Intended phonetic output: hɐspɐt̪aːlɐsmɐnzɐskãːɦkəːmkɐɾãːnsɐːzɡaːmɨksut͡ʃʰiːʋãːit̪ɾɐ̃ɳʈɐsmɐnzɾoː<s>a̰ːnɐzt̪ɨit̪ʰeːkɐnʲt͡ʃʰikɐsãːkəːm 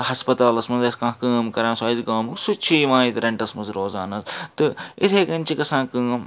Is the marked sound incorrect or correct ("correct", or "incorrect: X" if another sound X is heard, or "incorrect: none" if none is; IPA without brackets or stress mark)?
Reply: incorrect: z